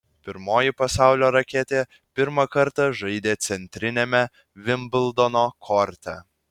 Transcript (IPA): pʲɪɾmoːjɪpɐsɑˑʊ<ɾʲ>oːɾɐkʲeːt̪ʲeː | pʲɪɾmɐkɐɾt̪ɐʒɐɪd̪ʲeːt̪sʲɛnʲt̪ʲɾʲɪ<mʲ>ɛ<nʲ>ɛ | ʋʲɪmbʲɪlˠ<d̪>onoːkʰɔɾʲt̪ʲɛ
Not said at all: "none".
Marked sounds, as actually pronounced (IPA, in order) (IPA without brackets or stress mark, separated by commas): lʲ, nʲ, mʲ, d̪